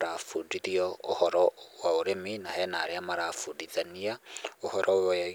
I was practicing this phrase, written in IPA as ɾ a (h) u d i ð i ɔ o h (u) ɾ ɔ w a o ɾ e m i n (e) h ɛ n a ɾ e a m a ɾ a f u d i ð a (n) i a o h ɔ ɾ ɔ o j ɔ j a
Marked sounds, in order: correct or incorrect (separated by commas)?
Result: incorrect, incorrect, incorrect, correct